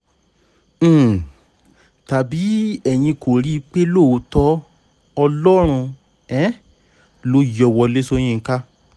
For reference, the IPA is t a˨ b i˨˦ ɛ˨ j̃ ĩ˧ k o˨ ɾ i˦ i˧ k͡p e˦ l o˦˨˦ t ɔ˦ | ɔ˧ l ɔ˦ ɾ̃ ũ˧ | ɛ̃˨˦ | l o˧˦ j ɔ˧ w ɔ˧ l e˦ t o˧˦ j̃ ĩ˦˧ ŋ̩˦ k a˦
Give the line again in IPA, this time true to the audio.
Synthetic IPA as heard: t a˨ b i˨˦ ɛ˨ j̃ ĩ˧ k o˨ ɾ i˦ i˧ k͡p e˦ l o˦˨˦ t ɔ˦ | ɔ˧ l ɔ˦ ɾ̃ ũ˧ | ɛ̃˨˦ | l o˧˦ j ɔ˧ w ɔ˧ l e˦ s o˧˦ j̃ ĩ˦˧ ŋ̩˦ k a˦